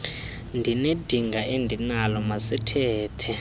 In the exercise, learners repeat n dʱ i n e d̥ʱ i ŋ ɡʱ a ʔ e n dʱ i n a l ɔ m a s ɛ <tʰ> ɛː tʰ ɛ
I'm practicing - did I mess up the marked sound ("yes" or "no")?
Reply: no